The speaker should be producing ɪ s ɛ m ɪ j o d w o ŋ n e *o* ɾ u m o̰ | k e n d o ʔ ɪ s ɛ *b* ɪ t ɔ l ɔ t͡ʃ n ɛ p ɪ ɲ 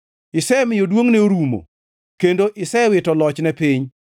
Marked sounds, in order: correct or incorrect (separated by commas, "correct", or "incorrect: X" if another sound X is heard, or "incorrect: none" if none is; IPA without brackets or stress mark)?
correct, incorrect: w